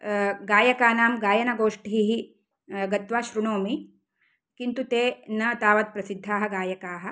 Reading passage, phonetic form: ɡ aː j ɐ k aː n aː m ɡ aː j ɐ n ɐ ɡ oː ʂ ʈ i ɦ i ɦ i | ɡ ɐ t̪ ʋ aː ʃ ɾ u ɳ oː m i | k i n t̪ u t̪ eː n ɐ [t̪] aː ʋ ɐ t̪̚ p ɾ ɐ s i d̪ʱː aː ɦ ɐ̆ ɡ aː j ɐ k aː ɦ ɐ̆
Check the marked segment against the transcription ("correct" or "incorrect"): correct